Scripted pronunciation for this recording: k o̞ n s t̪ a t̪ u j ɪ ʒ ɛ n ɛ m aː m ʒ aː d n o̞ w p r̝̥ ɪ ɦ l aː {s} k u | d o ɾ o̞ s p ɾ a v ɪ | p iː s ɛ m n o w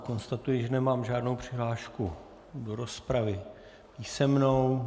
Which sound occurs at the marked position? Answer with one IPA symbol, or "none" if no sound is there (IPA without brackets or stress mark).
ʃ